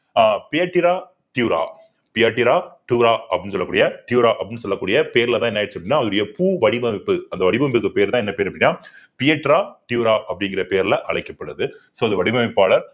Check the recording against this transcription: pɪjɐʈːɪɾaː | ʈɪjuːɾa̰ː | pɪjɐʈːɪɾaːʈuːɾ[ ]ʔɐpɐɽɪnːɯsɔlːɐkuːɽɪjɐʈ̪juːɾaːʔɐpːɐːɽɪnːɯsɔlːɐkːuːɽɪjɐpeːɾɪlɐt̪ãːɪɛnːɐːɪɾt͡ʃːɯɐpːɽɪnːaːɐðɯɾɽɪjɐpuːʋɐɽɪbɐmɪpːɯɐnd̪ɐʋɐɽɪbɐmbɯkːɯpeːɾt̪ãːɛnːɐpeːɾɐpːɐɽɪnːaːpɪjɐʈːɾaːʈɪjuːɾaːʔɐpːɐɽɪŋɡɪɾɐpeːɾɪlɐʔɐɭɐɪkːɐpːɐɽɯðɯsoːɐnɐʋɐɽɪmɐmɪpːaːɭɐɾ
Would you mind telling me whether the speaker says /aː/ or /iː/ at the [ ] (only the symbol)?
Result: aː